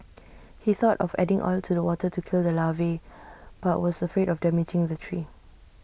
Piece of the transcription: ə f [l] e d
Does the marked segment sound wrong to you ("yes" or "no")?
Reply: yes